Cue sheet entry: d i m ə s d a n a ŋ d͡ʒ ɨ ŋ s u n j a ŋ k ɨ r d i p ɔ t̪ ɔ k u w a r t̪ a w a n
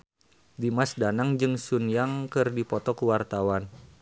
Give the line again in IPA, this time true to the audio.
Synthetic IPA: d i m a s d a n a ŋ d͡ʒ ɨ ŋ s u n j a ŋ k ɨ r d i p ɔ t̪ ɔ k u w a r t̪ a w a n

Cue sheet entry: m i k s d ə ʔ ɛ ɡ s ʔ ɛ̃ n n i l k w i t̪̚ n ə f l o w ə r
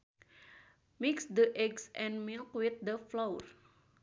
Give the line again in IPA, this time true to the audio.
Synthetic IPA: m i k s d ə ʔ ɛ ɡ s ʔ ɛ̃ n m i l k w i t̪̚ d ə f l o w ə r

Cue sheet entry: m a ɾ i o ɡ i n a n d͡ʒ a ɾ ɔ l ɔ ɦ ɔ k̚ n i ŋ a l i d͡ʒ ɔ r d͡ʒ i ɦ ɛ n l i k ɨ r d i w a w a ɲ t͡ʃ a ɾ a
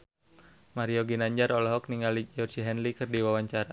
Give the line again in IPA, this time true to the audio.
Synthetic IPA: m a ɾ i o ɡ i n a ɲ d͡ʒ a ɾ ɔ l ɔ ɦ ɔ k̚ n i ŋ a l i d͡ʒ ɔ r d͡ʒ i ɦ ɛ n l i k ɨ r d i w a w a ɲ t͡ʃ a ɾ a

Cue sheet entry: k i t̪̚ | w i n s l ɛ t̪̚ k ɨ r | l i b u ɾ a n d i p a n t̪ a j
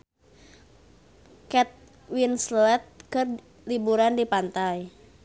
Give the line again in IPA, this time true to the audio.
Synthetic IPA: k ɛ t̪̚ | w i n s l ɛ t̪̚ k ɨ r | l i b u ɾ a n d i p a n t̪ a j

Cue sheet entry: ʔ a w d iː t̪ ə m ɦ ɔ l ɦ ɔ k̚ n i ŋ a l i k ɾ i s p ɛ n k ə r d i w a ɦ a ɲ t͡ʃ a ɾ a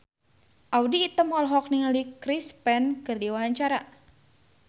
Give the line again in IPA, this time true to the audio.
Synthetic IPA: ʔ a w d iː t̪ ə m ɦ ɔ l ɦ ɔ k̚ n i ŋ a l i k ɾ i s p ɛ n k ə r d i w a ɦ a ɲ t͡ʃ a ɾ a

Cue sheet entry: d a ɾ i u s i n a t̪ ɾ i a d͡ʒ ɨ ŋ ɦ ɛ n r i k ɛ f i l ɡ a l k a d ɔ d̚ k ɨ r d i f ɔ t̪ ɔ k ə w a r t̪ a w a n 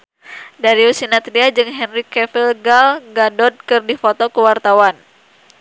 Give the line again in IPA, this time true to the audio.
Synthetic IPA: d a ɾ i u s i n a t̪ ɾ i a d͡ʒ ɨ ŋ ɦ ɛ n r i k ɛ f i l ɡ a l ɡ a d ɔ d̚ k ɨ r d i f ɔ t̪ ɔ k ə w a r t̪ a w a n

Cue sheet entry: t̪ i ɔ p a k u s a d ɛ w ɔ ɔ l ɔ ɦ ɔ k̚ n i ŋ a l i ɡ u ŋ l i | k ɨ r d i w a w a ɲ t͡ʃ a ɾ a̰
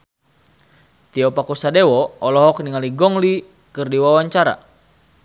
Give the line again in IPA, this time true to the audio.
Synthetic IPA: t̪ i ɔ p a k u s a d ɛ w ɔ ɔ l ɔ ɦ ɔ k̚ n i ŋ a l i ɡ ɔ ŋ l i | k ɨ r d i w a w a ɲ t͡ʃ a ɾ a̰

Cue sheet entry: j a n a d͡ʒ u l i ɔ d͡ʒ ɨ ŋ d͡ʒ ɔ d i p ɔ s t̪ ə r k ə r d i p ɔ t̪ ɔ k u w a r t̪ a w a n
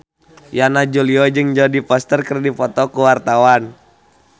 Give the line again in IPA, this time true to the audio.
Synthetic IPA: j a n a d͡ʒ u l i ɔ d͡ʒ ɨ ŋ d͡ʒ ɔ d i p ɔ s t̪ ə r k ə r d i p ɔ t̪ ɔ k u w a r t̪ a w a n

